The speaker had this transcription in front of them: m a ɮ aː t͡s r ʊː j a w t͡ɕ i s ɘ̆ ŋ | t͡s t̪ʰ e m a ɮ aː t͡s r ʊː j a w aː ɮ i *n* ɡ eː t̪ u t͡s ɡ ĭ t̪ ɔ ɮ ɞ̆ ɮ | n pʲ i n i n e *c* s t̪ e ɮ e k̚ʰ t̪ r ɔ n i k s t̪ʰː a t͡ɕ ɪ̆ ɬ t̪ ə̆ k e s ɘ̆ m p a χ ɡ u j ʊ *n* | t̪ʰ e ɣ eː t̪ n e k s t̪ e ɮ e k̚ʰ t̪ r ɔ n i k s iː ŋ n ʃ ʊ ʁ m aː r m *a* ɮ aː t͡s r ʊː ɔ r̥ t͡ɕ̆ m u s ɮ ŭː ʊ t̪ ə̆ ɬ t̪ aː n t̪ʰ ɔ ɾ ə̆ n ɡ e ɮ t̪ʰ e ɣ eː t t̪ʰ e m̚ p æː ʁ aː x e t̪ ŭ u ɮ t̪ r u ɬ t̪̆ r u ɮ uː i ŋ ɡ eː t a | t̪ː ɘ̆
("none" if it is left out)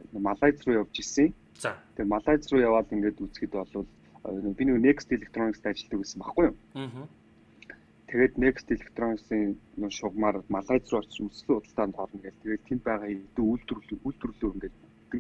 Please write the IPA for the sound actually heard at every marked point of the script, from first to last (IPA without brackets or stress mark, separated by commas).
ŋ, k, m, a